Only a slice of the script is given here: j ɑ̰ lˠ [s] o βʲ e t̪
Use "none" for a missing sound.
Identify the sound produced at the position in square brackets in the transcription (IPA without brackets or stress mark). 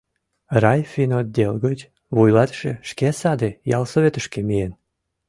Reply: s